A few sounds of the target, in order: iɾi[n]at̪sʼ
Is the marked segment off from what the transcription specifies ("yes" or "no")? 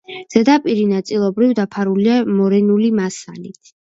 no